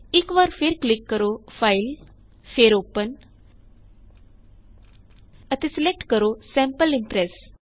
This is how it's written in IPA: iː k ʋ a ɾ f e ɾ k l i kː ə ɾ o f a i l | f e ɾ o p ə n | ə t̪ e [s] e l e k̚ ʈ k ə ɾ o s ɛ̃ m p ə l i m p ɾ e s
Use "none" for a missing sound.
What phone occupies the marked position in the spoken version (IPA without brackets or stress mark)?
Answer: s